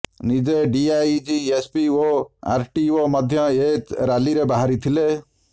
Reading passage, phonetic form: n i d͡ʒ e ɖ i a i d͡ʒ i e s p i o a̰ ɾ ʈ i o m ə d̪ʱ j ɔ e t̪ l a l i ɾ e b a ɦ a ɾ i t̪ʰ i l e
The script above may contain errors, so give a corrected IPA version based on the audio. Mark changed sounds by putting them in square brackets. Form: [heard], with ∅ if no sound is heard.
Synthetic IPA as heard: n i d͡ʒ e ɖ i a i d͡ʒ i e s p i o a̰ ɾ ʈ i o m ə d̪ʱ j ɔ e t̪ [ɾ] a l i ɾ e b a ɦ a ɾ i t̪ʰ i l e